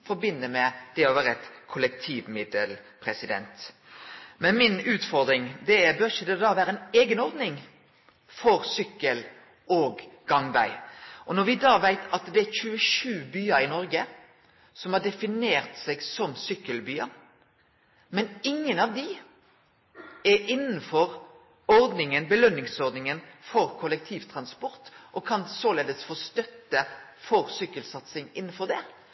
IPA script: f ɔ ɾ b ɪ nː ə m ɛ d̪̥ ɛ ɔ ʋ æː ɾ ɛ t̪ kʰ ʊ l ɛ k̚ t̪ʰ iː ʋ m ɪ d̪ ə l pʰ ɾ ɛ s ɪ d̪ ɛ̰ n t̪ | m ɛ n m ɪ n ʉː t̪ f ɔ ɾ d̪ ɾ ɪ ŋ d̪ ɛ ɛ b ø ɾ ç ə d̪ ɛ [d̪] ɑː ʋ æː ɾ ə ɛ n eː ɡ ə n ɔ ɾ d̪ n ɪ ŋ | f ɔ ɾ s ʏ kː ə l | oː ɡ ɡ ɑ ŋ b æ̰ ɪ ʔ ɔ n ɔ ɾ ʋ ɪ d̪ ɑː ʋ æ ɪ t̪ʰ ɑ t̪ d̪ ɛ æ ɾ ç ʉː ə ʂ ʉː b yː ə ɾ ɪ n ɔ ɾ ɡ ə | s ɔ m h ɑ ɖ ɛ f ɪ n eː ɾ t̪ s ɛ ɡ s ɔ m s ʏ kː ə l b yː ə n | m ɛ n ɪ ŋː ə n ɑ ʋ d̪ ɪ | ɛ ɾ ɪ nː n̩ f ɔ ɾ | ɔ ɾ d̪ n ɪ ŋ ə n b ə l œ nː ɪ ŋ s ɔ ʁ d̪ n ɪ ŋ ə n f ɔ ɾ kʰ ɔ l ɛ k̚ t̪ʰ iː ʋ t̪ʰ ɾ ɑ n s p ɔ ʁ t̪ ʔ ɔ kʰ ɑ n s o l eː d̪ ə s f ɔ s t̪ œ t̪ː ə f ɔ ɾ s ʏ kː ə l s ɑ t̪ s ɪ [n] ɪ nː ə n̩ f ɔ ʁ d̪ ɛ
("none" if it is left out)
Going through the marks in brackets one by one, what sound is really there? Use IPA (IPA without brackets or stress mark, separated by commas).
d̪, ŋ